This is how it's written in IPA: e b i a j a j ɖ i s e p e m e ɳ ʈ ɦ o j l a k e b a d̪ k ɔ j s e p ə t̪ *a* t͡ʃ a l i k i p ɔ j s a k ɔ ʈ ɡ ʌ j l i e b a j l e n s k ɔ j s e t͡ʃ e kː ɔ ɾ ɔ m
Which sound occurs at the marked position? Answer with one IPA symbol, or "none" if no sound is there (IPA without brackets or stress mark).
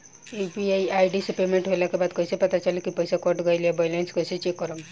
a